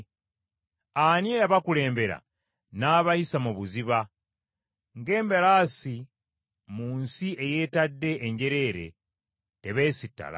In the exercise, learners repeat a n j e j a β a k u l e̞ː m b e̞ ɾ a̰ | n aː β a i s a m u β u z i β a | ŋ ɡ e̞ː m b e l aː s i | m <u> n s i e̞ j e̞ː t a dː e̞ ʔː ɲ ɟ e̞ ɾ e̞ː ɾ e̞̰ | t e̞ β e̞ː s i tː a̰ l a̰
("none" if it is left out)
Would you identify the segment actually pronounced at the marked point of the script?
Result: uː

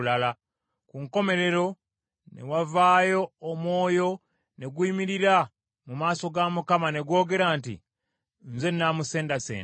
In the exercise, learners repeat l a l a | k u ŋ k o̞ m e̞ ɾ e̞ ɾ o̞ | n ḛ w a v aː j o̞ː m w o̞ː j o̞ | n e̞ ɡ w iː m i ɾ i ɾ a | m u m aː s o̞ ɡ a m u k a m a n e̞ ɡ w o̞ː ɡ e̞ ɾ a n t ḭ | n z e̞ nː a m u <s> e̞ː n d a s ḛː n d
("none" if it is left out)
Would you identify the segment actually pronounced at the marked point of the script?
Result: s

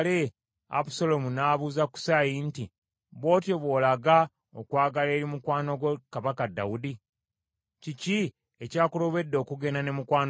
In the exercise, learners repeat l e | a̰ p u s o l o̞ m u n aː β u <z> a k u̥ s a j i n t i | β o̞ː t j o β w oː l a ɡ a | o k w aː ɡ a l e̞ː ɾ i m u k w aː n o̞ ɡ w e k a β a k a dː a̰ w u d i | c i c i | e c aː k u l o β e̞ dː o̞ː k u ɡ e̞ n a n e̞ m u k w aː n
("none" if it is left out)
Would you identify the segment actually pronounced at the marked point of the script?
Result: z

